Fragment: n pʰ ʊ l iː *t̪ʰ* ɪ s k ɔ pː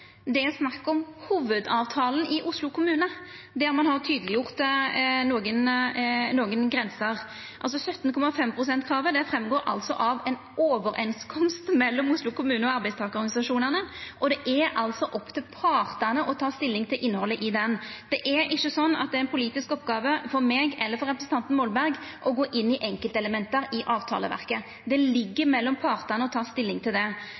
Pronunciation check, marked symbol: incorrect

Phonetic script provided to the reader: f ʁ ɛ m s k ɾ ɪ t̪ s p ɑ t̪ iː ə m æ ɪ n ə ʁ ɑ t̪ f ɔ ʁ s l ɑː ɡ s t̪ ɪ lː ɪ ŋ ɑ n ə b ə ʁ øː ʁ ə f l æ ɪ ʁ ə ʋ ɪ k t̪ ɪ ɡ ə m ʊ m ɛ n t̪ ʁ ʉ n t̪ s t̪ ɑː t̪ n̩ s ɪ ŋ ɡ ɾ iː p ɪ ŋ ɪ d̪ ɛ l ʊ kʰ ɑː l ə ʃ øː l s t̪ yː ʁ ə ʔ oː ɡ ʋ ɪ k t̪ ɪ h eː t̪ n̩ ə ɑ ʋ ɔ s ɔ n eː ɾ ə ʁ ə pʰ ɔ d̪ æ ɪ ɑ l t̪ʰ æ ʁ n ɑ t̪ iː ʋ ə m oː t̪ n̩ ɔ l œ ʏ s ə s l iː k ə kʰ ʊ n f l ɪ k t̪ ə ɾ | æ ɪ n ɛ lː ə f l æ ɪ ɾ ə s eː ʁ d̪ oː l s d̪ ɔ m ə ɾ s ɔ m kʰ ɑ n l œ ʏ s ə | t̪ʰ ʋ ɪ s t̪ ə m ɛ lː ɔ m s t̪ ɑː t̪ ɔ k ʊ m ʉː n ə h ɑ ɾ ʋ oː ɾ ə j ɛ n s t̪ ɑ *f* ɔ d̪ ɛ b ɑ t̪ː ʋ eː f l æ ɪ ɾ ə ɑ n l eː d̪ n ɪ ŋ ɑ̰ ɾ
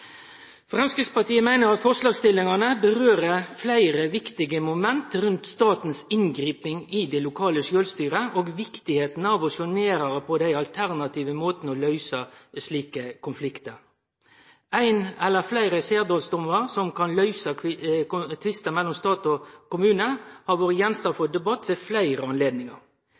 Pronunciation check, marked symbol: correct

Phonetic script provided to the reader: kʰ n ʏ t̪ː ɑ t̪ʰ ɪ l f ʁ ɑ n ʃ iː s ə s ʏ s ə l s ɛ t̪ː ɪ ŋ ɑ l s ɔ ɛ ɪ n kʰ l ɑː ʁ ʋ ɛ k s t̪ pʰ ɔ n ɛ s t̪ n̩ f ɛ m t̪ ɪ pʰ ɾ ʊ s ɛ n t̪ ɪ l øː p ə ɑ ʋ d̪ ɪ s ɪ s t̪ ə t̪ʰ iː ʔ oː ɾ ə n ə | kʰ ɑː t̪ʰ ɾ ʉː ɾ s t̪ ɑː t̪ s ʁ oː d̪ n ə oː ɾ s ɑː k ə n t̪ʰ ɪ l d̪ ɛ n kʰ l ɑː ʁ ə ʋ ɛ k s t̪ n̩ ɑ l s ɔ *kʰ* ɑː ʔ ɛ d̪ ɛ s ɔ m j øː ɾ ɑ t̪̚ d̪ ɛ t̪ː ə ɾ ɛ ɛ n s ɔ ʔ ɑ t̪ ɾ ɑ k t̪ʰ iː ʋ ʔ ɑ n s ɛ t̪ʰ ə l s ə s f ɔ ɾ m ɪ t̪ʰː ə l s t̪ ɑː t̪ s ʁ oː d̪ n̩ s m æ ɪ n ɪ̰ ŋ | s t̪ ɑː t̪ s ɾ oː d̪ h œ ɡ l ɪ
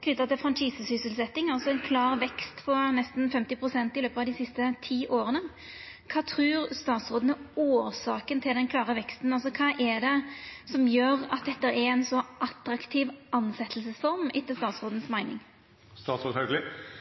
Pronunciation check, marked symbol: correct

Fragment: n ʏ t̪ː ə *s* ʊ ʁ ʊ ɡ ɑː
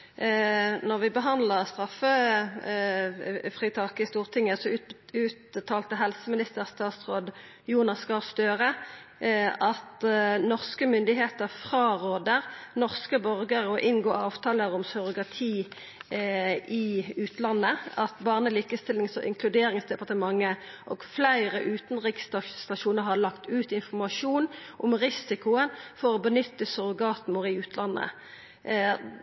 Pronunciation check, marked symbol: correct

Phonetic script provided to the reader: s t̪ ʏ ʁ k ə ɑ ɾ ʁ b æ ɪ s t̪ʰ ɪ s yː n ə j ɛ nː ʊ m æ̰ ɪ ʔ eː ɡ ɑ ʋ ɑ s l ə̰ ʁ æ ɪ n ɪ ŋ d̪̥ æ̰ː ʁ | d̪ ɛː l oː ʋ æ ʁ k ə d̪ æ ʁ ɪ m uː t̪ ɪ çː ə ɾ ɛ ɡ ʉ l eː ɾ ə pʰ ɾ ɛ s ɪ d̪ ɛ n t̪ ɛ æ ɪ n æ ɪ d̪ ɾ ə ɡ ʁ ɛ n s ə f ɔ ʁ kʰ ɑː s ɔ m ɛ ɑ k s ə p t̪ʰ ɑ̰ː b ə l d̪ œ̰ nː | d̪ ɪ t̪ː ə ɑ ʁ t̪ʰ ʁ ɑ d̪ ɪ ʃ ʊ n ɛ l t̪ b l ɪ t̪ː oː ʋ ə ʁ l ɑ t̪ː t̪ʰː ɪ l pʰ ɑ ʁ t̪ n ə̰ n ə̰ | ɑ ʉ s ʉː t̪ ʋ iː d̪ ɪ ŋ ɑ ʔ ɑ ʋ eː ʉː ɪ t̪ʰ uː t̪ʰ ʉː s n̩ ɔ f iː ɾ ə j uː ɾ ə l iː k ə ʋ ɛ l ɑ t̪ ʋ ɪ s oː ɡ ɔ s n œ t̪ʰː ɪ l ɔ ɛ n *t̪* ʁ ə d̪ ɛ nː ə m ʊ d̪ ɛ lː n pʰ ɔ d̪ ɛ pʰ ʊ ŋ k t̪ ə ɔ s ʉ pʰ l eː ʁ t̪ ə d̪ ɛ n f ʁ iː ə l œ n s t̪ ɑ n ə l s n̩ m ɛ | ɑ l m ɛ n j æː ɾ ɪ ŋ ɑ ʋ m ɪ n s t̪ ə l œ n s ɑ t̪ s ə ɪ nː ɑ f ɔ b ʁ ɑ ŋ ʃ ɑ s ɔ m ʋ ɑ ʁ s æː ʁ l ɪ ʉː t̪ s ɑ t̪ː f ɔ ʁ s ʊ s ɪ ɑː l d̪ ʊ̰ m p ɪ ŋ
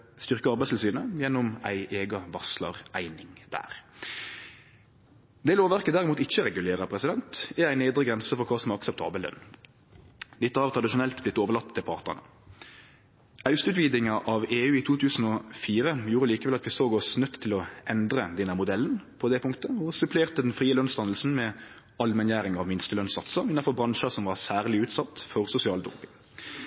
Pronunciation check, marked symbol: incorrect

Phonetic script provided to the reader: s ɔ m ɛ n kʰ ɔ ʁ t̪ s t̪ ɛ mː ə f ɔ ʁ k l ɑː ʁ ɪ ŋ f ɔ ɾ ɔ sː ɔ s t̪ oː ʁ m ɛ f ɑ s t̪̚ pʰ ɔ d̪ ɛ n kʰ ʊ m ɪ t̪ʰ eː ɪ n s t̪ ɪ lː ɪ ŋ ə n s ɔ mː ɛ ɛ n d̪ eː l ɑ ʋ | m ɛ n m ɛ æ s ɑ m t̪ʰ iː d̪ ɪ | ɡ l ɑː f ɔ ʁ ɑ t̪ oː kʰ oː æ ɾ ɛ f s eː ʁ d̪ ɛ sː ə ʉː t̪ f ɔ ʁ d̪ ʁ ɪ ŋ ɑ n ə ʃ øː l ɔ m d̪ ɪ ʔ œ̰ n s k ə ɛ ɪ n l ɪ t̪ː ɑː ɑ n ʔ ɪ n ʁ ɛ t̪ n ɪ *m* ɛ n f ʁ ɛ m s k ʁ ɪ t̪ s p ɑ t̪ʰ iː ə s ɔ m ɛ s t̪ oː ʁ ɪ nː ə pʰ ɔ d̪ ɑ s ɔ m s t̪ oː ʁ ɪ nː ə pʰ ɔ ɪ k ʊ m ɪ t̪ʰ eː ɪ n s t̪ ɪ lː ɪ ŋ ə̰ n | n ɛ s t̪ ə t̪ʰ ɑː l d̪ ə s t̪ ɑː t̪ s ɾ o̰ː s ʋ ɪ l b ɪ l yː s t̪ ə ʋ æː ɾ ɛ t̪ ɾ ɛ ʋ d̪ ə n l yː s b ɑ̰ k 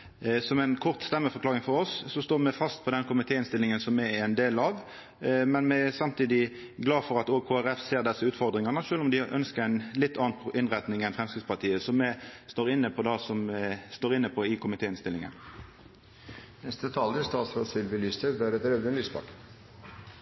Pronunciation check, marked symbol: incorrect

